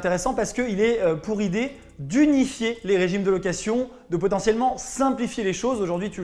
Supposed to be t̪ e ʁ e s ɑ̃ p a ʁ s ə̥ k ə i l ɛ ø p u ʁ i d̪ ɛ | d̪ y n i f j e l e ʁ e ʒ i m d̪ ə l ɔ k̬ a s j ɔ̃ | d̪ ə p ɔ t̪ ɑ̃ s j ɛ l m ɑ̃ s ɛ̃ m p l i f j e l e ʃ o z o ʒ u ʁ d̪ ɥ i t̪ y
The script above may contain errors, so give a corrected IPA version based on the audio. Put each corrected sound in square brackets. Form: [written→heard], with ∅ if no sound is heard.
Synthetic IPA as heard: t̪ e ʁ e s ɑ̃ p a ʁ s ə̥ k ə i l ɛ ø p u ʁ i d̪ [ɛ→e] | d̪ y n i f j e l e ʁ e ʒ i m d̪ ə l ɔ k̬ a s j ɔ̃ | d̪ ə p ɔ t̪ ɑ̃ s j ɛ l m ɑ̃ s ɛ̃ [m→∅] p l i f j e l e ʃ o z o ʒ u ʁ d̪ ɥ i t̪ y